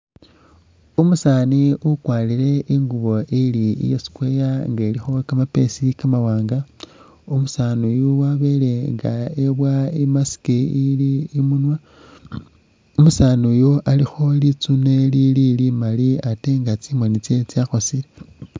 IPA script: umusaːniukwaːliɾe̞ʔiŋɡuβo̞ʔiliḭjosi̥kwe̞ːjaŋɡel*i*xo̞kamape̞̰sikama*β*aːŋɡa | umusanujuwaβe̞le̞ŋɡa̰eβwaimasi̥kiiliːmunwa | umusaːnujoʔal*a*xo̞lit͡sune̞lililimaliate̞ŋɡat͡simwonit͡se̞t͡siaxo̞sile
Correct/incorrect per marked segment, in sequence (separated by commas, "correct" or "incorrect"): correct, incorrect, incorrect